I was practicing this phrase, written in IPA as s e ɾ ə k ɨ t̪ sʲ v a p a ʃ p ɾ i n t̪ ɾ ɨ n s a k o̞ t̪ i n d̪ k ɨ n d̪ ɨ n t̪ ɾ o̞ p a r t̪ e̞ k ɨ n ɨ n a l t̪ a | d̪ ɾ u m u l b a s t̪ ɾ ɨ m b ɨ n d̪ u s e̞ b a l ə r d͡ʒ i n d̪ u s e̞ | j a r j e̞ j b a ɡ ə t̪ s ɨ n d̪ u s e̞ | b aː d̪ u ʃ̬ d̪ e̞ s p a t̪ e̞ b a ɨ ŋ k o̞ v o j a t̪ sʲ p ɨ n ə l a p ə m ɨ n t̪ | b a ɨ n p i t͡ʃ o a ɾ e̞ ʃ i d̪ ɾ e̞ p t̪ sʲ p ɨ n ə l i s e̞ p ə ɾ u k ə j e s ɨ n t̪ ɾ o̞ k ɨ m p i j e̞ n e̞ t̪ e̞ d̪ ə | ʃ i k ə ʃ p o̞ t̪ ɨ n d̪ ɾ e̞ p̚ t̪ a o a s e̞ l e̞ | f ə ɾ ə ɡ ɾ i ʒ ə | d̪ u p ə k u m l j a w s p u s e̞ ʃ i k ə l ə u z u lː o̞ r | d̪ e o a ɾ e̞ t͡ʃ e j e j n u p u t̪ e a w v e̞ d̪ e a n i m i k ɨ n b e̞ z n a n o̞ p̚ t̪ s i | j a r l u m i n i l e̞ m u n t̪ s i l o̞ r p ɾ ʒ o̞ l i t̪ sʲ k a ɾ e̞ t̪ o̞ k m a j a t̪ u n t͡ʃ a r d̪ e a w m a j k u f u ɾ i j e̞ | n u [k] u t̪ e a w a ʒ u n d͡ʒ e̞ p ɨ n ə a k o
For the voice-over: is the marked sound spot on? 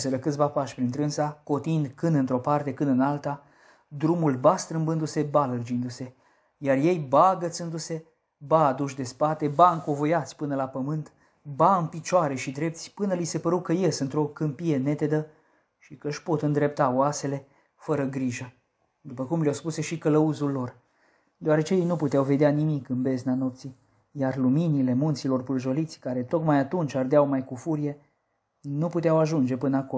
no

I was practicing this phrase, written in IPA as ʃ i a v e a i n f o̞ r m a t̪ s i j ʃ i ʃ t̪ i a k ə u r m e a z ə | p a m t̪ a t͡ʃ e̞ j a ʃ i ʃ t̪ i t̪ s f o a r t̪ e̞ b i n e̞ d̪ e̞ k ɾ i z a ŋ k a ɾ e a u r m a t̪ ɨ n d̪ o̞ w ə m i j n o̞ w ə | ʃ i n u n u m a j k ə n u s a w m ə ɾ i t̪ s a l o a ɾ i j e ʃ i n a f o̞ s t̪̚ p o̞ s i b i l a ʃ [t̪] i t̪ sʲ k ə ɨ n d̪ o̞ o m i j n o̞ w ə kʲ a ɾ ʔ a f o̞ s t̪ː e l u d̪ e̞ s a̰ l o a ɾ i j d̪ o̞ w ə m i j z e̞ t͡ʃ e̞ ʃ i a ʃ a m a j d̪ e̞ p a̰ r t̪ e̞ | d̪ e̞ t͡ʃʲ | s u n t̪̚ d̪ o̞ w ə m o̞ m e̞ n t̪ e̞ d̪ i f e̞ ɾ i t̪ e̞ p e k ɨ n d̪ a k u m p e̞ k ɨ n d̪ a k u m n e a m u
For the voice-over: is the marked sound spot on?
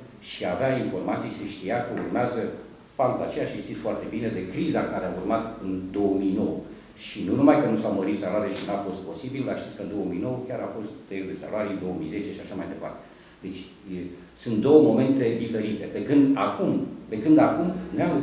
yes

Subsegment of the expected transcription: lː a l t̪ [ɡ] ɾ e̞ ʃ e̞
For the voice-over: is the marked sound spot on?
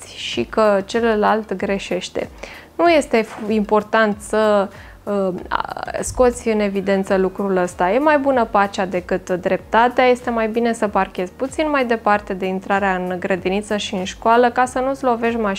yes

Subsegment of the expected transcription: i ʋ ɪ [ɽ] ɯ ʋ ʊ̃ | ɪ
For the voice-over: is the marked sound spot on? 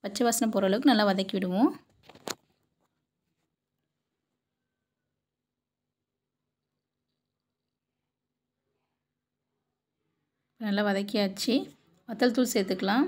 yes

